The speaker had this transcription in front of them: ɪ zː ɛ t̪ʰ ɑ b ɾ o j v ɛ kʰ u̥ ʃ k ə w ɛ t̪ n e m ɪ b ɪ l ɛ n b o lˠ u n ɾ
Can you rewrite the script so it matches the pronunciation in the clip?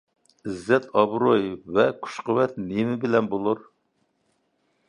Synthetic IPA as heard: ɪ zː ɛ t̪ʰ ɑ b ɾ o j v ɛ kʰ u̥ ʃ q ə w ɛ t̪ n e m ɪ b ɪ l ɛ n b o lˠ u ɾ